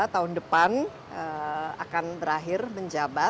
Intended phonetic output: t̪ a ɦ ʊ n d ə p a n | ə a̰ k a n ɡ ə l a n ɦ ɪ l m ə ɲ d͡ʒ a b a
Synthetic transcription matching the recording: t̪ a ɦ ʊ n d ə p a n | ə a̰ k a n b ə ɾ a ɦ ɪ r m ə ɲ d͡ʒ a b a